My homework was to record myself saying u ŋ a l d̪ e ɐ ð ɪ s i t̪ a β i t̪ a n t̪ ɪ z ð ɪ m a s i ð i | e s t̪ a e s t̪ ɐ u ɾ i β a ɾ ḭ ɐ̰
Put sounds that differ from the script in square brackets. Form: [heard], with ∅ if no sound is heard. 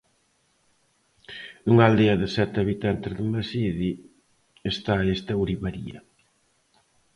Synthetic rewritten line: u ŋ a l d̪ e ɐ ð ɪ s [ɛ] t̪ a β i t̪ a n t̪ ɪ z ð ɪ m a s i ð i | e s t̪ a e s t̪ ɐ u ɾ i β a ɾ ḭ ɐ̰